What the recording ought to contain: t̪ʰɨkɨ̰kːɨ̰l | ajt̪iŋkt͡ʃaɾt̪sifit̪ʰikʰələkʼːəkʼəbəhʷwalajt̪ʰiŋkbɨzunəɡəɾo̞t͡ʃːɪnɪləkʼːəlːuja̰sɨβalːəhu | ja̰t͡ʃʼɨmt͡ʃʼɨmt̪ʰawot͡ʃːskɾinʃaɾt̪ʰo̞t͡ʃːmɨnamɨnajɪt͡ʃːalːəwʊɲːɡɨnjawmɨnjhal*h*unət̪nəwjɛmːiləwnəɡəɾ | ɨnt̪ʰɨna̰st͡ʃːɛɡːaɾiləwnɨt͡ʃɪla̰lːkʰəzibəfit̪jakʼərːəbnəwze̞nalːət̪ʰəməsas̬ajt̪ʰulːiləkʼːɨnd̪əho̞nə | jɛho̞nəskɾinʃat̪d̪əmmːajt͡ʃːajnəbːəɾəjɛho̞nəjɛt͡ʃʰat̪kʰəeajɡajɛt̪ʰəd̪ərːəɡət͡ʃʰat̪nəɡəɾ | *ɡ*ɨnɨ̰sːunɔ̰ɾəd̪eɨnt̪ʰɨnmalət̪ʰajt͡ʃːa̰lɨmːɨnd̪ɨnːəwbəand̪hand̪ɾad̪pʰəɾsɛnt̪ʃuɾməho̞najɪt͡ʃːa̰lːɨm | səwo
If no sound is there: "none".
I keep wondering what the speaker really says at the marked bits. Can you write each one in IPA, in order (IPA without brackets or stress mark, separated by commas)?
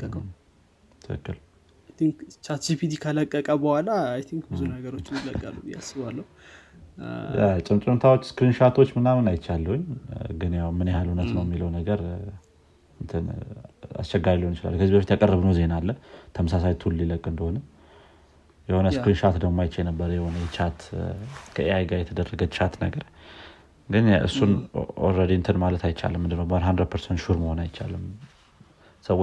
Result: h, ɡ